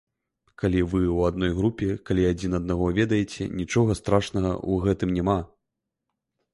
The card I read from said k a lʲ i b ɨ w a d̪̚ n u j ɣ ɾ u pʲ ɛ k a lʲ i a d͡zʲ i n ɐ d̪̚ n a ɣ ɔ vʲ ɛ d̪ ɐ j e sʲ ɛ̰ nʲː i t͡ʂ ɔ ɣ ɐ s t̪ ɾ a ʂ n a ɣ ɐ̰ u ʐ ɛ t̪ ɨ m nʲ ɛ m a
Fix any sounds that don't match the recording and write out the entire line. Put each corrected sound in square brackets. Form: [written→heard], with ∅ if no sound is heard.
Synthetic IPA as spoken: k a lʲ i [b→v] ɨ w a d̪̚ n [u→ɔ] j ɣ ɾ u pʲ ɛ k a lʲ i a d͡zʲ i n ɐ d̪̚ n a ɣ ɔ vʲ ɛ d̪ ɐ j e [sʲ→t͡sʲ] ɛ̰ [nʲː→nʲ] i t͡ʂ ɔ ɣ ɐ s t̪ ɾ a ʂ n [a→ɐ] ɣ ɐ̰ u [ʐ→ɣ] ɛ t̪ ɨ m nʲ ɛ m a